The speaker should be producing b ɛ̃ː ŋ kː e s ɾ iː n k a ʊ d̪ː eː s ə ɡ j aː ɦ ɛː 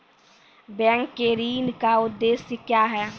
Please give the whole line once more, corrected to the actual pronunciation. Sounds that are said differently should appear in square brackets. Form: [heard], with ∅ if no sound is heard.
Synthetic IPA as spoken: b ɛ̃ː ŋ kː e [∅] ɾ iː n k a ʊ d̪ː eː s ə [k] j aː ɦ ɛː